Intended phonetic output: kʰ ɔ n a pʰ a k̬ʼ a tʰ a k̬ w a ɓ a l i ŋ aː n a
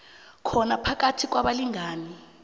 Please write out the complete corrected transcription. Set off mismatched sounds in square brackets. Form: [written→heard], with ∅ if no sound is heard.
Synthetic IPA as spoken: kʰ ɔ n a pʰ a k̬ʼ a tʰ [a→i] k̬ w a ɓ a l i ŋ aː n [a→i]